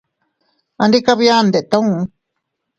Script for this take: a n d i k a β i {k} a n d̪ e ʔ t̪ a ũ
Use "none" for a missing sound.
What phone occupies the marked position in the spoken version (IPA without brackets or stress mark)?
none